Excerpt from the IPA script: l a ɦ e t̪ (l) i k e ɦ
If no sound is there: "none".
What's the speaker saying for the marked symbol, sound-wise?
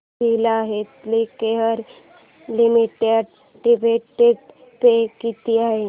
l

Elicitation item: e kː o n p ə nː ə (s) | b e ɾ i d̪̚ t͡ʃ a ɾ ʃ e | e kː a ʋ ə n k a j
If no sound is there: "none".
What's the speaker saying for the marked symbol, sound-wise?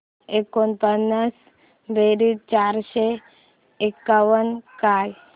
s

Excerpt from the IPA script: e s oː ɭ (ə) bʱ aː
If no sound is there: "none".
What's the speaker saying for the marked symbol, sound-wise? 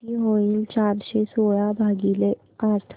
a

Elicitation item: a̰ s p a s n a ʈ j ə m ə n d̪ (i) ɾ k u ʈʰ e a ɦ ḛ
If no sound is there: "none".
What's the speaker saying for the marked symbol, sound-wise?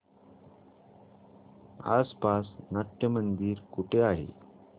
iː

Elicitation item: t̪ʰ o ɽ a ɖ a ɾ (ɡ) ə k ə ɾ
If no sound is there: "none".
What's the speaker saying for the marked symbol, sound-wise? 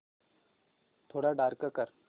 k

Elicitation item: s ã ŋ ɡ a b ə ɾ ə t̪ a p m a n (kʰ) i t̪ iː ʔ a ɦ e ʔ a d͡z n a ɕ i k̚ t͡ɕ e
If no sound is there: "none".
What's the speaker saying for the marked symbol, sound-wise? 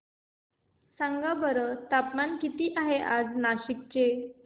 k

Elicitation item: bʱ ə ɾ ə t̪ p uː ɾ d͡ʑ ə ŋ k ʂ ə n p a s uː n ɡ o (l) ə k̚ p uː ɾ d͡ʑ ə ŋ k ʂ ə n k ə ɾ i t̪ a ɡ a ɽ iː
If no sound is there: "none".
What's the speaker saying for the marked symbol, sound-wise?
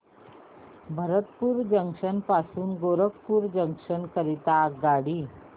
ɾ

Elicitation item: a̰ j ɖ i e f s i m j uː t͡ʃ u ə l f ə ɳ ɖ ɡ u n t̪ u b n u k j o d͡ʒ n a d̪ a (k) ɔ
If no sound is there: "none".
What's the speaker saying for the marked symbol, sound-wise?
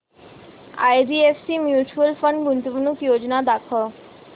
kʰ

